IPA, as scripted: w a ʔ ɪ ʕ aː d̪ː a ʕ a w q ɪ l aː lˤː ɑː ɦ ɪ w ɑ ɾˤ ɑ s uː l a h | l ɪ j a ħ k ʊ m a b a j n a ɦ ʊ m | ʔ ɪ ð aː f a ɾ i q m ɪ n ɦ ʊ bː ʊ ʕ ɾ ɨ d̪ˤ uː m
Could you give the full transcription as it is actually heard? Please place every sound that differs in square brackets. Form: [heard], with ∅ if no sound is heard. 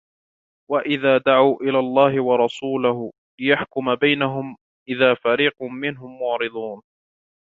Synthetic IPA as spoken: w a ʔ ɪ [ð] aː [d̪] a ʕ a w [ʔ] ɪ l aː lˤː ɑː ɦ ɪ w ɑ ɾˤ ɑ s uː l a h | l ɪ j a ħ k ʊ m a b a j n a ɦ ʊ m | ʔ ɪ ð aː f a ɾ [iː] q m ɪ n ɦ ʊ [mː] ʊ ʕ ɾ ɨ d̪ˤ uː [n]